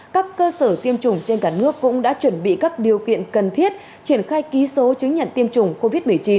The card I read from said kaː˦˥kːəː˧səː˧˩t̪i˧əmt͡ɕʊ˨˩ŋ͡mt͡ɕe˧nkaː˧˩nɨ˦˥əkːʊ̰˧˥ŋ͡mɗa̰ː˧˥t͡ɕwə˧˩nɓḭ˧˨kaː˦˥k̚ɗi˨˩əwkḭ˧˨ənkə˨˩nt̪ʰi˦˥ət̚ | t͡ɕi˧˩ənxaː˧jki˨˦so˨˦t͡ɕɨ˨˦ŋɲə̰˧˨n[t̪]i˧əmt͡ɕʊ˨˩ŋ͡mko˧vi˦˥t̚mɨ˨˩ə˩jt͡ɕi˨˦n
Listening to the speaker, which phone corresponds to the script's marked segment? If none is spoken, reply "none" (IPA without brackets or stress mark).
t̪